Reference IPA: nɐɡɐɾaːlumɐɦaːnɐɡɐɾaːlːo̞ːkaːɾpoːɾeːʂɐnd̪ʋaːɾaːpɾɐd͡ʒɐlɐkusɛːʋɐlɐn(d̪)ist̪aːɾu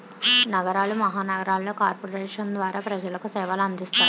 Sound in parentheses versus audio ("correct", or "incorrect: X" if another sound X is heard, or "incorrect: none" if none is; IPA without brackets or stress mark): correct